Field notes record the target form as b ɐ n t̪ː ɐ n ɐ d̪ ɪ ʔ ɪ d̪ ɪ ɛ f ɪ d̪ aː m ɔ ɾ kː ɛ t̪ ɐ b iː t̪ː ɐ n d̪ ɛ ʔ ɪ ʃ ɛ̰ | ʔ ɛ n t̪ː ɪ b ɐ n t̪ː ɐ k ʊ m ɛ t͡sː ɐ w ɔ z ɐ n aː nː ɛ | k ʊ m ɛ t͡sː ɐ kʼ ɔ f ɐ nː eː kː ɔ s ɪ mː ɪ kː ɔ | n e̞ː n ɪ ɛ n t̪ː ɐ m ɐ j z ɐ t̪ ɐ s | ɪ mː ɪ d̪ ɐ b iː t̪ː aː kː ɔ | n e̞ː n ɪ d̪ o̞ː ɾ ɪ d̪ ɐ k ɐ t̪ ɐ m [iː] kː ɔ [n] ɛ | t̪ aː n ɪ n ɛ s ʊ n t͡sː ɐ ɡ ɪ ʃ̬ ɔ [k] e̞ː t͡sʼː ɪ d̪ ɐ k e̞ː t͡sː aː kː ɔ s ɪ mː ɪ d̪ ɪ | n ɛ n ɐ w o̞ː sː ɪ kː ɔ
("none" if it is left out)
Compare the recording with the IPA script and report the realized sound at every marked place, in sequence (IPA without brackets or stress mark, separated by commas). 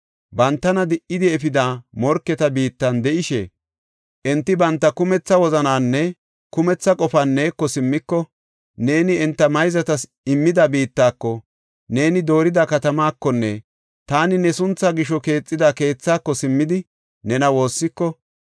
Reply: aː, nː, k